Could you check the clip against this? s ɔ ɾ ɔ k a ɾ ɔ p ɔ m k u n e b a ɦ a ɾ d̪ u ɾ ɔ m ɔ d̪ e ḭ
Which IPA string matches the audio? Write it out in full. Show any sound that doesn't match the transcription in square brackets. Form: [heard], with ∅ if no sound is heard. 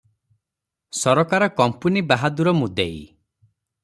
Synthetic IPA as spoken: s ɔ ɾ ɔ k a ɾ ɔ [k] ɔ m [p] u n [i] b a ɦ a [∅] d̪ u ɾ ɔ m [u] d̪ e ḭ

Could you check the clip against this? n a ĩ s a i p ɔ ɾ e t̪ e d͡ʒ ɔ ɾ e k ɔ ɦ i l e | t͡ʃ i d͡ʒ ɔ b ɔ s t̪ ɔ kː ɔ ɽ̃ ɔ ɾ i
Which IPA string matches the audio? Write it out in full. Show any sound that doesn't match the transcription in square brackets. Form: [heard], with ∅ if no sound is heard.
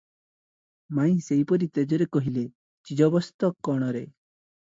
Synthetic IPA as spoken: [m] a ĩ s [e] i p ɔ ɾ [i] t̪ e d͡ʒ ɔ ɾ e k ɔ ɦ i l e | t͡ʃ i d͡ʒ ɔ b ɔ s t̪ ɔ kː ɔ ɽ̃ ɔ ɾ [e]

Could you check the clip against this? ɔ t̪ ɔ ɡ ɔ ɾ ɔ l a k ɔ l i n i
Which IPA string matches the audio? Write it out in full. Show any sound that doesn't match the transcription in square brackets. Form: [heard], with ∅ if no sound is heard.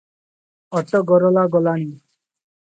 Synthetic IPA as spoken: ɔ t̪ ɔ ɡ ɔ ɾ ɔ l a [ɡ] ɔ l [a] n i

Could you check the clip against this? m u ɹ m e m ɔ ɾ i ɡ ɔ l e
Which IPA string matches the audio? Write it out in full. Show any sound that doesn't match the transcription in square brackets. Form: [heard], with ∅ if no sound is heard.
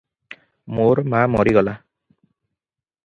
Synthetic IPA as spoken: m [o] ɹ m [a] m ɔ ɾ i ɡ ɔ l [a]

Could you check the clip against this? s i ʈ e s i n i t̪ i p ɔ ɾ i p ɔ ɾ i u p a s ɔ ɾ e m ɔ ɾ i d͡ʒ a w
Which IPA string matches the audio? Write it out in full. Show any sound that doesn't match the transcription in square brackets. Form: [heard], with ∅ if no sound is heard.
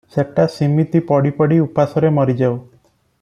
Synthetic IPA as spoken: s [e] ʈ [a] s i [m] i t̪ i p ɔ [ɽ] i p ɔ [ɽ] i u p a s ɔ ɾ e m ɔ ɾ i d͡ʒ a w

